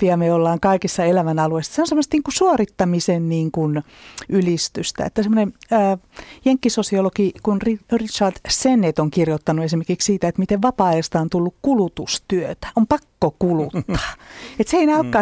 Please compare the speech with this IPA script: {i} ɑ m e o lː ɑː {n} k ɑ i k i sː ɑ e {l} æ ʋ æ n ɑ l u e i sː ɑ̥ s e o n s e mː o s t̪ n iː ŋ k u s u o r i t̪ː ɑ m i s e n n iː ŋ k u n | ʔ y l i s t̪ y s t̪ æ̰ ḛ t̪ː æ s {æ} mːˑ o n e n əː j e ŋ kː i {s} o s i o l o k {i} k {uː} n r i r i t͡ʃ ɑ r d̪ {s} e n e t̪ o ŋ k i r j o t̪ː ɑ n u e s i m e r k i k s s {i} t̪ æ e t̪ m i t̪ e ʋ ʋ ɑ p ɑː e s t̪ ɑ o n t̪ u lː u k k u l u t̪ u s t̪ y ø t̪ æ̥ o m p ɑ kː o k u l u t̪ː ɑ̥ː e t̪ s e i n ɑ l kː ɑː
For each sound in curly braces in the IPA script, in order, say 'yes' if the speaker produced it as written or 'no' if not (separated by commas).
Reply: yes, no, yes, no, yes, yes, no, yes, no